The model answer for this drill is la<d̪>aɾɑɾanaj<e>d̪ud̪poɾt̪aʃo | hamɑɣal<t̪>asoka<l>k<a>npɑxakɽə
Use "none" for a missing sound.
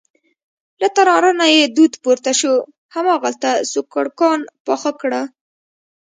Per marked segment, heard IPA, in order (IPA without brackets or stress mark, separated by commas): t̪, e, t̪, ɽ, ɑ